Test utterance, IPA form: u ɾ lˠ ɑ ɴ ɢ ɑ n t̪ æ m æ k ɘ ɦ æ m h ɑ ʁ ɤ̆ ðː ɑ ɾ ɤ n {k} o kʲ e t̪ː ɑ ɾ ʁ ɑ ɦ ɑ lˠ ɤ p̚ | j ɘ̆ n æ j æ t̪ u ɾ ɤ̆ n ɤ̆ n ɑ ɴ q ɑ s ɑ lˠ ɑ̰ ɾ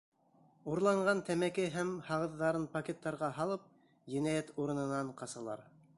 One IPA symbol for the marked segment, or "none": p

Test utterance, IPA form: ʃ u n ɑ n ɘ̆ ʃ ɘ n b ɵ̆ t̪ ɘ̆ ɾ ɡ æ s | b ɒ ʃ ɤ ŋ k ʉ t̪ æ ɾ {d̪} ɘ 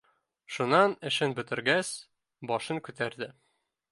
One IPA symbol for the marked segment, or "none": d̪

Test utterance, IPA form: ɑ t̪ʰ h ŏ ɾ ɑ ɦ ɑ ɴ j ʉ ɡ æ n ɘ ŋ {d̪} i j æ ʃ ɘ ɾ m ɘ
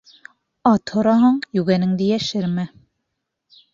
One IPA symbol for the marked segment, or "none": d̪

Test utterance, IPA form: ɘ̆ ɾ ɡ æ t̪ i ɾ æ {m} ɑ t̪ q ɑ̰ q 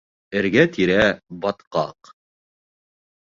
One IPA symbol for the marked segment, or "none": b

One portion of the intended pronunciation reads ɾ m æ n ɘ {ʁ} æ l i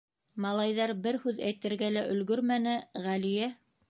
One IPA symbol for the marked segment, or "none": ʁ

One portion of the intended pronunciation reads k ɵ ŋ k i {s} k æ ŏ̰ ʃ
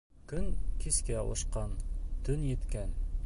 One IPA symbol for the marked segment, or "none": s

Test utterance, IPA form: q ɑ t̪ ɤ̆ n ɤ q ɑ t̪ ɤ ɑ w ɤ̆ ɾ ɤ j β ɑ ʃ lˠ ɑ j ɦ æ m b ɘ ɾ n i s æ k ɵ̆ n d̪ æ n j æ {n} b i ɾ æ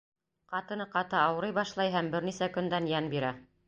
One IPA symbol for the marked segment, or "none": n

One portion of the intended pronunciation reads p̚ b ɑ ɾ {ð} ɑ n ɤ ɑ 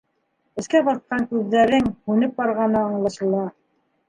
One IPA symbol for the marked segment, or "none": ʁ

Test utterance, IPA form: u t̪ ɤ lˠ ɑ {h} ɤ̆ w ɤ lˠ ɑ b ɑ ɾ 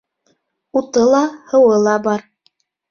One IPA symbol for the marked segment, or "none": h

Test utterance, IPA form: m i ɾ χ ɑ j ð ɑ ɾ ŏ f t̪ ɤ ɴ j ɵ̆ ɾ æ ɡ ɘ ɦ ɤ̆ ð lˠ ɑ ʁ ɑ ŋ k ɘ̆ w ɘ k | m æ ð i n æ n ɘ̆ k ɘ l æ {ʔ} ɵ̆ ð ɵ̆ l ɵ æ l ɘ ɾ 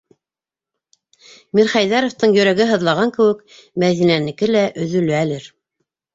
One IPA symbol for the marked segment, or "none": ʔ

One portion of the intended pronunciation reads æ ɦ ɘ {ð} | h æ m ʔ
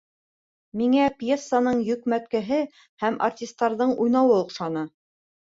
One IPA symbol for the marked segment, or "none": none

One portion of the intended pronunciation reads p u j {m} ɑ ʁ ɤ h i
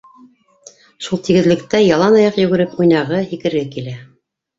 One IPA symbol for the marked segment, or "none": n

